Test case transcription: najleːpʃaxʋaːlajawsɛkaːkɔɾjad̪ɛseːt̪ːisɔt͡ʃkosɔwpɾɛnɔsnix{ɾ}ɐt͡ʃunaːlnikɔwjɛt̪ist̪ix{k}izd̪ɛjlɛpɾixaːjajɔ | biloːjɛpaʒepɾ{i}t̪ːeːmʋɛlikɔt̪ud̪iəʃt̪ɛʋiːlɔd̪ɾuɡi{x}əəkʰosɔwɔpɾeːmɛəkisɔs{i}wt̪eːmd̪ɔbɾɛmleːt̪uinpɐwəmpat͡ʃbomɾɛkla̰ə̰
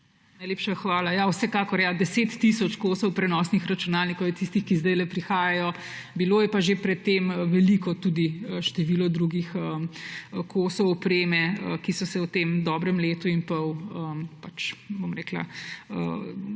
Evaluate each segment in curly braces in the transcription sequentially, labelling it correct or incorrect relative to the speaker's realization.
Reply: correct, correct, incorrect: ɛ, correct, incorrect: ɛ

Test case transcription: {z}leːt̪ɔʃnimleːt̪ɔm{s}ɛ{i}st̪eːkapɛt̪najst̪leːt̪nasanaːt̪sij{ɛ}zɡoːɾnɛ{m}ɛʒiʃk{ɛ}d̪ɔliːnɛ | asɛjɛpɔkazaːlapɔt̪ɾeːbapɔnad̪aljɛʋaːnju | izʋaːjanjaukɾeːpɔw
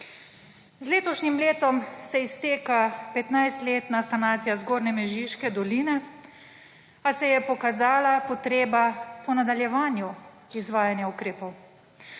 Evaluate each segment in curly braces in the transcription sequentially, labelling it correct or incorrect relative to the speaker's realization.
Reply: correct, correct, correct, incorrect: a, correct, correct

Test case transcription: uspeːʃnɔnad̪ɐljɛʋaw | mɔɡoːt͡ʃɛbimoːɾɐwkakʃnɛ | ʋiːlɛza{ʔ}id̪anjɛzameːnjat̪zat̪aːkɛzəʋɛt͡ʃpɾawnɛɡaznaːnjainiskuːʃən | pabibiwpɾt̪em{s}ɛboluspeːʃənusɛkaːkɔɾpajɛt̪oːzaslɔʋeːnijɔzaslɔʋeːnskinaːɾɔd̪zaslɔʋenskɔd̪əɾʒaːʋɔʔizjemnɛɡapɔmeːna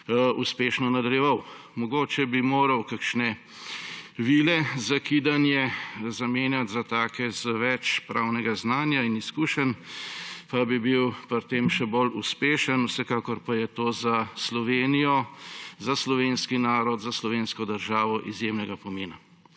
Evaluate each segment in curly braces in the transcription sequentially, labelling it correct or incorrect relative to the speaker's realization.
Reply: incorrect: k, incorrect: ʃ

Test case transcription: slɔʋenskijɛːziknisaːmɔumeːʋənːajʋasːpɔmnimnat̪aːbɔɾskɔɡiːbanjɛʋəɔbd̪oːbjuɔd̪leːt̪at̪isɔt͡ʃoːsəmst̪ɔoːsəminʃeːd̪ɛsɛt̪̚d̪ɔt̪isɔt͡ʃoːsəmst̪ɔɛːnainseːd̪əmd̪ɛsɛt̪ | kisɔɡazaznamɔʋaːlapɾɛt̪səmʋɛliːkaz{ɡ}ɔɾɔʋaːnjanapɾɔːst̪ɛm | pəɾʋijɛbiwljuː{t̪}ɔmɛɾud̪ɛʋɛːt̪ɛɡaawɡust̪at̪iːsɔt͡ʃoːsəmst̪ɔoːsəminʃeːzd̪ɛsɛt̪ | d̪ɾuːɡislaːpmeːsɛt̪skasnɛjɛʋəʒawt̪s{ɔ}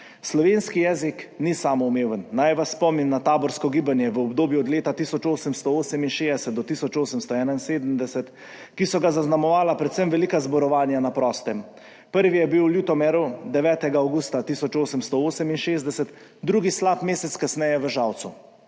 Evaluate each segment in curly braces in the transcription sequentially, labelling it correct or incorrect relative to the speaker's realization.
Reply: incorrect: b, correct, incorrect: u

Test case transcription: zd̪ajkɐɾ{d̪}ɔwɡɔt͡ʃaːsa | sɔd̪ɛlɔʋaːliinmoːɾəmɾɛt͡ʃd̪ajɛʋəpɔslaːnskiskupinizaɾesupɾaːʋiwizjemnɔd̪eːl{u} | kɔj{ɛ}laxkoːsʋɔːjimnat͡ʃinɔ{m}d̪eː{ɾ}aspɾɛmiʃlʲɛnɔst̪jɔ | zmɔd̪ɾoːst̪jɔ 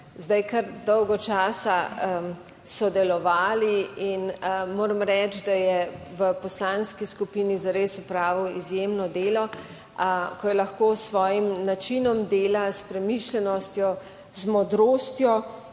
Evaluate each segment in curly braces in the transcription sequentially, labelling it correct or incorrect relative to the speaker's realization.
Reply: correct, incorrect: ɔ, correct, correct, incorrect: l

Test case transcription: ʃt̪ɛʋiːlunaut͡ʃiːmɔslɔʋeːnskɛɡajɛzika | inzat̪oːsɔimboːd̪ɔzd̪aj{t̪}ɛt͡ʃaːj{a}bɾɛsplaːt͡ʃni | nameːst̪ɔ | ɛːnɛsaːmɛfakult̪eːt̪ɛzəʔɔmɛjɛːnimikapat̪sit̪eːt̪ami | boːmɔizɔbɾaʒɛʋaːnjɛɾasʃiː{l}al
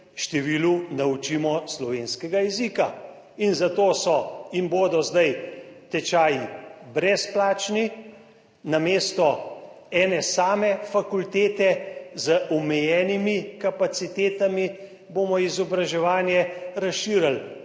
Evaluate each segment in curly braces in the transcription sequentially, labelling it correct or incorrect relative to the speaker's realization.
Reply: correct, incorrect: i, incorrect: ɾ

